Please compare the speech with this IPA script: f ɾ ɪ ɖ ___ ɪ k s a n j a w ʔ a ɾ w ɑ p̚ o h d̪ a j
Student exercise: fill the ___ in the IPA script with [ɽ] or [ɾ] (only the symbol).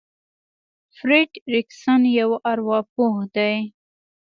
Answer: ɾ